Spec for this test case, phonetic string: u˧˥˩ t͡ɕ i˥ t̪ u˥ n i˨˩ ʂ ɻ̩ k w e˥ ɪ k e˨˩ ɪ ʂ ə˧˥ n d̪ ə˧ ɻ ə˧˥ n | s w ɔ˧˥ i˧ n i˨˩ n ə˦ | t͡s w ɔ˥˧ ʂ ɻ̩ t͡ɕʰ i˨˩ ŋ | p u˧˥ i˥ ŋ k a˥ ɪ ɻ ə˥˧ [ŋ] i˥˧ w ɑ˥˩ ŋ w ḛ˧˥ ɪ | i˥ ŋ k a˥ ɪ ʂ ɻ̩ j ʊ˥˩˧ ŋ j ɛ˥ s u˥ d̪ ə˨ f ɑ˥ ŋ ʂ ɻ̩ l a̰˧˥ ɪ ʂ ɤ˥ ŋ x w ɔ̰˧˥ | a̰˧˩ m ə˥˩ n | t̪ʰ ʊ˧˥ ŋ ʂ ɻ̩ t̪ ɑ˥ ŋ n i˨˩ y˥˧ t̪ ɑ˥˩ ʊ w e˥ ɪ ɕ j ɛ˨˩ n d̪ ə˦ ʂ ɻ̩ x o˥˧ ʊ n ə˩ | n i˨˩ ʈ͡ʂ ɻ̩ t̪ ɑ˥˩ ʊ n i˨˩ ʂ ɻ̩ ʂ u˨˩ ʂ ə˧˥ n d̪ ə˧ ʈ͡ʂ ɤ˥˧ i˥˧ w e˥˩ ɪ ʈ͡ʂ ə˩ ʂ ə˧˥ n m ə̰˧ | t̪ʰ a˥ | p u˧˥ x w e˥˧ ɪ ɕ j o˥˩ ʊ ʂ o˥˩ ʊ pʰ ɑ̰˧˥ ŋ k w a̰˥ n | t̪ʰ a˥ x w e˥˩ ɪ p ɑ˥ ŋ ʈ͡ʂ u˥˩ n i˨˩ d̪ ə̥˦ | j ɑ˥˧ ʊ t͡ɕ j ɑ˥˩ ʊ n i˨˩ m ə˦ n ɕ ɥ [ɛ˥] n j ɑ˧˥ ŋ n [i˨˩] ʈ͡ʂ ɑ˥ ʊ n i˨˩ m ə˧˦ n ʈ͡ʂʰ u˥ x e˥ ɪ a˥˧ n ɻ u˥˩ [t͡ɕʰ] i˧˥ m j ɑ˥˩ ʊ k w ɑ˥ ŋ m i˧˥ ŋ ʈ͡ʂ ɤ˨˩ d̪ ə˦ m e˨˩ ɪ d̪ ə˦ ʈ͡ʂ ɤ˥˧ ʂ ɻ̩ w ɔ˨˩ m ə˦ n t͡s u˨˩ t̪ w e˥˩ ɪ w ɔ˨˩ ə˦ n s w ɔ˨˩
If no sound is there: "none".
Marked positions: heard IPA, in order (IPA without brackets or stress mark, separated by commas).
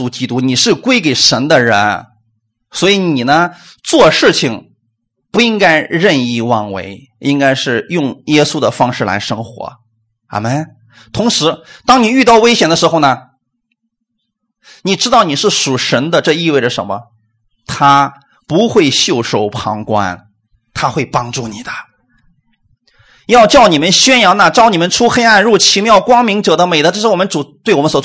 n, ɛ˥, a˨˩, t͡ɕʰ